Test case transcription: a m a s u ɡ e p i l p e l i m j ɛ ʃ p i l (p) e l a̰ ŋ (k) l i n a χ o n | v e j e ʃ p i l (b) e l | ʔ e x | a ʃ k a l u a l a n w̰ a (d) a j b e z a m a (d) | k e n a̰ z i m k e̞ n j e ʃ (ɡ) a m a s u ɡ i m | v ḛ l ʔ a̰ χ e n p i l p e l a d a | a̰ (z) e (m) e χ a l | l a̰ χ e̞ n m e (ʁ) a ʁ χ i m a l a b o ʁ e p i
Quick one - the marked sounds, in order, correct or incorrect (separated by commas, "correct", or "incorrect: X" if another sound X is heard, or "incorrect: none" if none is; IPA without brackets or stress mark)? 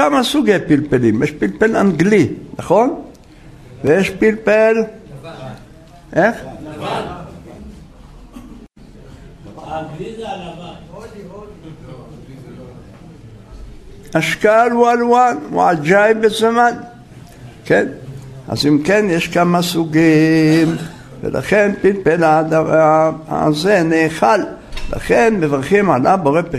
correct, incorrect: ɡ, incorrect: p, incorrect: d͡ʒ, incorrect: n, incorrect: k, correct, incorrect: n, incorrect: v